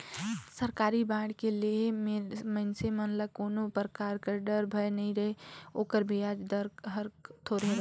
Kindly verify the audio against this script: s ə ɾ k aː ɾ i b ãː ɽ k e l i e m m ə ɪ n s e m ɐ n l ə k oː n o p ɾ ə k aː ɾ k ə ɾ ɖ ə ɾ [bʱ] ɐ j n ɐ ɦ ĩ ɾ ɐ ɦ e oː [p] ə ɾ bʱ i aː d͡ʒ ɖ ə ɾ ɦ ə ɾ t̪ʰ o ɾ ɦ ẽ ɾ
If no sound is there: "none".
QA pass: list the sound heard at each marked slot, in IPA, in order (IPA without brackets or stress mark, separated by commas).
bʱ, k